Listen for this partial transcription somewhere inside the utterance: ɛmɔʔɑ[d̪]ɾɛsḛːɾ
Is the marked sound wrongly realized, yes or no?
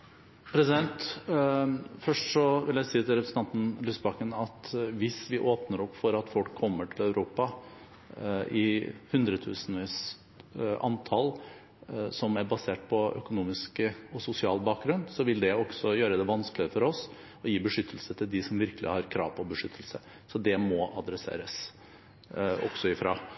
no